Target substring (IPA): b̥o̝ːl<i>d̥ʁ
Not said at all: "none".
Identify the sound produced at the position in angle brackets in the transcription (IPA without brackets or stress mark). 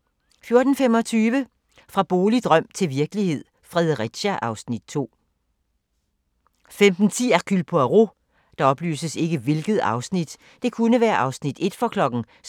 i